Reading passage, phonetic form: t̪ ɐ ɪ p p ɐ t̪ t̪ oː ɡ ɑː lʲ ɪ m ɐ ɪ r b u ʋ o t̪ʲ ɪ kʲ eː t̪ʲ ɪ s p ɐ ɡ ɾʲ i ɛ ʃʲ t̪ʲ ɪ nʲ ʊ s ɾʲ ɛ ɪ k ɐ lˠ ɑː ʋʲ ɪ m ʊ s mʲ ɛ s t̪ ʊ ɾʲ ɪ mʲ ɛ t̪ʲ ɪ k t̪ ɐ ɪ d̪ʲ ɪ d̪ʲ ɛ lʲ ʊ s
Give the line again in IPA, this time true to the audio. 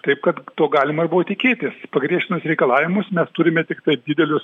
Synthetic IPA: t̪ ɐ ɪ p k ɐ t̪ t̪ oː ɡ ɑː lʲ ɪ m ɐ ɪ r b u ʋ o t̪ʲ ɪ kʲ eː t̪ʲ ɪ s p ɐ ɡ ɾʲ i ɛ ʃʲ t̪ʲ ɪ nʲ ʊ s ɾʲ ɛ ɪ k ɐ lˠ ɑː ʋʲ ɪ m ʊ s mʲ ɛ s t̪ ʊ ɾʲ ɪ mʲ ɛ t̪ʲ ɪ k t̪ ɐ ɪ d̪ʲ ɪ d̪ʲ ɛ lʲ ʊ s